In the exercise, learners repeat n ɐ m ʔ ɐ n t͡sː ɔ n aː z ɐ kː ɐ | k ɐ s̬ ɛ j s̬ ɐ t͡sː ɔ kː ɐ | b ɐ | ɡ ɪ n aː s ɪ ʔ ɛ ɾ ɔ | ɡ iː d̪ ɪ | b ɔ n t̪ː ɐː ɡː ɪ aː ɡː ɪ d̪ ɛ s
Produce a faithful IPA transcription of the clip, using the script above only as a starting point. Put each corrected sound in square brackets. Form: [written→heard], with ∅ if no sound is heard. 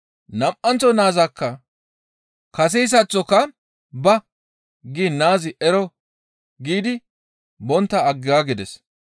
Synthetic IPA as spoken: n ɐ m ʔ ɐ n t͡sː ɔ n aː z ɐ kː ɐ | k ɐ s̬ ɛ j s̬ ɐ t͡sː ɔ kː ɐ | b ɐ | ɡ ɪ n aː [s→z] ɪ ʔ ɛ ɾ ɔ | ɡ iː d̪ ɪ | b ɔ n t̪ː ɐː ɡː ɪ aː [ɡː→ɡ] ɪ d̪ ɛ s

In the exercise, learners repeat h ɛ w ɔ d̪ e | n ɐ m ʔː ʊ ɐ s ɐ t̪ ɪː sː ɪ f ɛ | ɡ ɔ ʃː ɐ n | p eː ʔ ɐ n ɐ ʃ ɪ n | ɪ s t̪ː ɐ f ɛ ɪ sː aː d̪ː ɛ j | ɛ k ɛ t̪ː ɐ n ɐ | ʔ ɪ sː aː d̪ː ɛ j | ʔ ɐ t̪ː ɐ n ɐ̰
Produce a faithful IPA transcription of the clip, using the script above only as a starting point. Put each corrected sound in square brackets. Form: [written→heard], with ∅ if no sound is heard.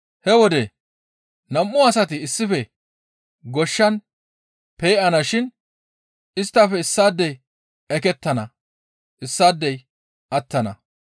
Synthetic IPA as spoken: h ɛ w ɔ d̪ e | n ɐ m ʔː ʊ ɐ s ɐ t̪ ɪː sː ɪ f ɛ | ɡ ɔ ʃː ɐ n | p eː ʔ ɐ n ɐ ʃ ɪ n | ɪ s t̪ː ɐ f ɛ ɪ sː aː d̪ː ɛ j | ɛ k ɛ t̪ː ɐ n ɐ | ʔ ɪ sː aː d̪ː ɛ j | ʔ ɐ t̪ː ɐ n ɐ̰

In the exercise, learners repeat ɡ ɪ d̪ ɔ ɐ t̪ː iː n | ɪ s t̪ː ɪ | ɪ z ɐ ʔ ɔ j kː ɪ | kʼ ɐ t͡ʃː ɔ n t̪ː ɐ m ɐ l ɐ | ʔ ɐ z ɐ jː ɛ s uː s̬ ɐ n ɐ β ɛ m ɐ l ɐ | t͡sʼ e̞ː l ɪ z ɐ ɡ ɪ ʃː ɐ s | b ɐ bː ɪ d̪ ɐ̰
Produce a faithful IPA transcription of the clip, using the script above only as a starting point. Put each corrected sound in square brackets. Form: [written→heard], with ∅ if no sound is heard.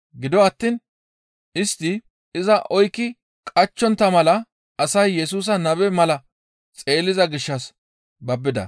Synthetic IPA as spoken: ɡ ɪ d̪ ɔ ɐ t̪ː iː n | ɪ s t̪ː ɪ | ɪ z ɐ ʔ ɔ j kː ɪ | kʼ ɐ t͡ʃː ɔ n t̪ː ɐ m ɐ l ɐ | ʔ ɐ [z→s] ɐ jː ɛ s uː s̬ ɐ n ɐ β ɛ m ɐ l ɐ | t͡sʼ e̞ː l ɪ z ɐ ɡ ɪ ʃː ɐ s | b ɐ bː ɪ d̪ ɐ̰

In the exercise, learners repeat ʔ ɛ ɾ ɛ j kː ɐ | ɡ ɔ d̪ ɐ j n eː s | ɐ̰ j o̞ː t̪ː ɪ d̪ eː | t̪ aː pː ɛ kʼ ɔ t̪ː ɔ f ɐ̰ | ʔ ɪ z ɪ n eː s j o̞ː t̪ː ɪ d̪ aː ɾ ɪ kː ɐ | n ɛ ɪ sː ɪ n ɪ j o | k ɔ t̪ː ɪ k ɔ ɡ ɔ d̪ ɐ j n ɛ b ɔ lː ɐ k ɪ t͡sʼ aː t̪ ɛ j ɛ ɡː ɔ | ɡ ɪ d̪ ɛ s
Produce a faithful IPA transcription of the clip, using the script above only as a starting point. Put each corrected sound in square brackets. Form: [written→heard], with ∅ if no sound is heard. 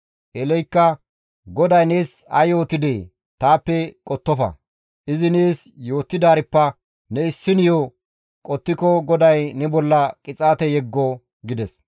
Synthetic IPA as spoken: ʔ ɛ [ɾ→l] ɛ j kː ɐ | ɡ ɔ d̪ ɐ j n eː s | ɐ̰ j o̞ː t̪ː ɪ d̪ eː | t̪ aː pː ɛ kʼ ɔ t̪ː ɔ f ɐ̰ | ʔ ɪ z ɪ n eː s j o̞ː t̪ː ɪ d̪ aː ɾ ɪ [kː→pː] ɐ | n ɛ ɪ sː ɪ n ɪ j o | [k→kʼ] ɔ t̪ː ɪ k ɔ ɡ ɔ d̪ ɐ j n ɛ b ɔ lː ɐ [k→kʼ] ɪ t͡sʼ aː t̪ ɛ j ɛ ɡː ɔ | ɡ ɪ d̪ ɛ s

